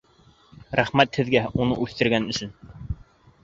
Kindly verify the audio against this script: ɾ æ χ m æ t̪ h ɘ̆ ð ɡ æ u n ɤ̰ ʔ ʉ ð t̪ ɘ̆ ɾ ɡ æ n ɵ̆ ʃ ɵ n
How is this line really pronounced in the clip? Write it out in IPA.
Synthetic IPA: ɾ æ χ m æ t̪ h ɘ̆ ð ɡ æ u n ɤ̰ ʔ ʉ θ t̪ ɘ̆ ɾ ɡ æ n ɵ̆ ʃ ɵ n